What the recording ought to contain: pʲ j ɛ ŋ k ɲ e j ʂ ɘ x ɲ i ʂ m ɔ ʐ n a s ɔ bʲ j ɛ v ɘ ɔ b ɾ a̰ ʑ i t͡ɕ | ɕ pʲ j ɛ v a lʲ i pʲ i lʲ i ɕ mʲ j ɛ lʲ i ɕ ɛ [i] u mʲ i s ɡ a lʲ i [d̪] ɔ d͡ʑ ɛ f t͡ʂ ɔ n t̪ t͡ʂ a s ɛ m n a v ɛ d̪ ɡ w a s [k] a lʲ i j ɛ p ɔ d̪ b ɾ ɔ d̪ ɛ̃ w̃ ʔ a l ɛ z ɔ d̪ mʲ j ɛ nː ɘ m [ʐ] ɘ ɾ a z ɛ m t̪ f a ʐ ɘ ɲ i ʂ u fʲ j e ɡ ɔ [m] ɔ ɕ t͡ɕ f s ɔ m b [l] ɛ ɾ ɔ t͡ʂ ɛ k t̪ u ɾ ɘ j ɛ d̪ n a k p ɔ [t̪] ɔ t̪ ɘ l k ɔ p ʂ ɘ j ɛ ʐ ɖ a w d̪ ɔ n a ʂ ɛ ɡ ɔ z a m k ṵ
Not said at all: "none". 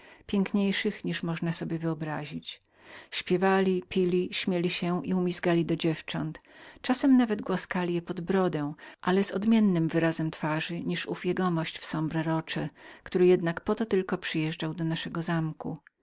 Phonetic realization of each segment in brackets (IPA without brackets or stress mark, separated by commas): i, d̪, k, v, m, ɾ, t̪